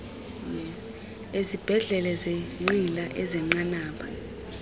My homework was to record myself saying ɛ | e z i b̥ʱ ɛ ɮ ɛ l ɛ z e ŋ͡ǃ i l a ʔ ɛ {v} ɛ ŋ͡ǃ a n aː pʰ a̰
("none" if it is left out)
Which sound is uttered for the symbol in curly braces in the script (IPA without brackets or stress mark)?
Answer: z